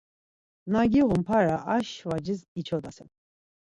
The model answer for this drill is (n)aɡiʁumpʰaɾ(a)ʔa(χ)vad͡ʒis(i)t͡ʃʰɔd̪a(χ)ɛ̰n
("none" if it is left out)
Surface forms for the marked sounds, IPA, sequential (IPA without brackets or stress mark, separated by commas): n, a, ʃ, i, s